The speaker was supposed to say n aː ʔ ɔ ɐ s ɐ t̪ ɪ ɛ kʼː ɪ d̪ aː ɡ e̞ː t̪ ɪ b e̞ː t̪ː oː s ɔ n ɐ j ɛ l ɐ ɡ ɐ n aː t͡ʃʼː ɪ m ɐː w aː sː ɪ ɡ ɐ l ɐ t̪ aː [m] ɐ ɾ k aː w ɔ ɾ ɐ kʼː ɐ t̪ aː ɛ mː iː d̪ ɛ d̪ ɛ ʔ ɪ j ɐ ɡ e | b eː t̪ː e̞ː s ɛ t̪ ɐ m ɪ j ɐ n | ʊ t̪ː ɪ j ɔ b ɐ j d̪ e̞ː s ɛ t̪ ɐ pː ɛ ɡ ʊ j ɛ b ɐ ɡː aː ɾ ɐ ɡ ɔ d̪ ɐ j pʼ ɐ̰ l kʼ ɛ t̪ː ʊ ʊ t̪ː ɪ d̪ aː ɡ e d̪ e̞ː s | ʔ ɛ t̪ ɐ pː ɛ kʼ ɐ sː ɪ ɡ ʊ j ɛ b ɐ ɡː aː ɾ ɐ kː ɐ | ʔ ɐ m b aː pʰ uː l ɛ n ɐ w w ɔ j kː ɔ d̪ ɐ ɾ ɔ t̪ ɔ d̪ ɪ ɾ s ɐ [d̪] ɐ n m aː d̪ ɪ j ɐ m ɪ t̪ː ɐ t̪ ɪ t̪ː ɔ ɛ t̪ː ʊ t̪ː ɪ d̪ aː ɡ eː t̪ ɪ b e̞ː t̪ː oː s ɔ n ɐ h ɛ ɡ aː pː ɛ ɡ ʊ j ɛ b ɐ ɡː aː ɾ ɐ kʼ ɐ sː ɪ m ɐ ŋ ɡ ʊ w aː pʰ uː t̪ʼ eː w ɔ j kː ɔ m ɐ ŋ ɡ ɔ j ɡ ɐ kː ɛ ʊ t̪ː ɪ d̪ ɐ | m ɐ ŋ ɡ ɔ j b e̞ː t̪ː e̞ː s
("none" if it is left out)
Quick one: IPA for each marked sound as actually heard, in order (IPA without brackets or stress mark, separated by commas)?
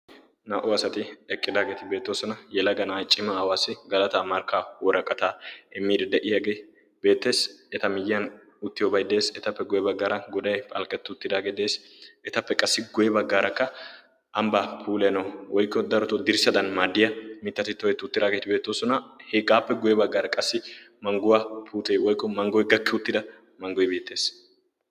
m, d̪